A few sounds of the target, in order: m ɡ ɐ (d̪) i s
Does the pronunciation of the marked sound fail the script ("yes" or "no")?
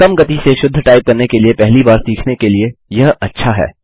yes